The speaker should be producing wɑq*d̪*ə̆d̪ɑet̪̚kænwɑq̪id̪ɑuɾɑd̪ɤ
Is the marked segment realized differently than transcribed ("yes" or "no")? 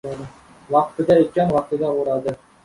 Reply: yes